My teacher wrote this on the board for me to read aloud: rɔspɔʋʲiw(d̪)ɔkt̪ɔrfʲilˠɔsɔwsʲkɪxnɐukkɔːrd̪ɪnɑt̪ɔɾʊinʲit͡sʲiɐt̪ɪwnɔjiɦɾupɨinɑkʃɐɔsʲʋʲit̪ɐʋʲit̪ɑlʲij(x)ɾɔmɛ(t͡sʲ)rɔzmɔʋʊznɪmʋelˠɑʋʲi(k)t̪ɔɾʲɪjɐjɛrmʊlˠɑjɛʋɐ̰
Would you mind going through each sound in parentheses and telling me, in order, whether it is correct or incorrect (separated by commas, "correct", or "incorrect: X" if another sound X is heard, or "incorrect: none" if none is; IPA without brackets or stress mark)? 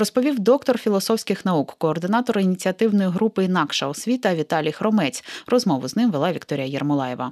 correct, correct, correct, correct